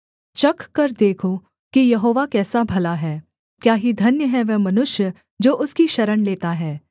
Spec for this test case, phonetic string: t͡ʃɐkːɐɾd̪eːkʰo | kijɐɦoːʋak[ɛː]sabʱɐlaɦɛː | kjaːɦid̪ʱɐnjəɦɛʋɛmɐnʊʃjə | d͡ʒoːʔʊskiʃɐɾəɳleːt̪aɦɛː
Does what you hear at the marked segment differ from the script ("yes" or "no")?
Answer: no